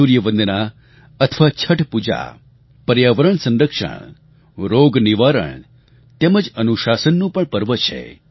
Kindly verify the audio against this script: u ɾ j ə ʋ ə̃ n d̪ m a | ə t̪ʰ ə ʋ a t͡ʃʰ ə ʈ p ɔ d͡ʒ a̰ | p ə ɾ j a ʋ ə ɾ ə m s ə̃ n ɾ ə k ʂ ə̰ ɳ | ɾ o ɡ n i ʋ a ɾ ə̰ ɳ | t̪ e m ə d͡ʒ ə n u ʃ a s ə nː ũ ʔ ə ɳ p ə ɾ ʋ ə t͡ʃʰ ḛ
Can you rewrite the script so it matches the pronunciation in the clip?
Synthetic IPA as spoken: u ɾ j ə ʋ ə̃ n d̪ n a | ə t̪ʰ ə ʋ a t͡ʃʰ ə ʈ p u d͡ʒ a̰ | p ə ɾ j a ʋ ə ɾ ə ɳ s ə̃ n ɾ ə k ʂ ə̰ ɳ | ɾ o ɡ n i ʋ a ɾ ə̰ ɳ | t̪ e m ə d͡ʒ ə n u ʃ a s ə nː ũ p ə ɳ p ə ɾ ʋ ə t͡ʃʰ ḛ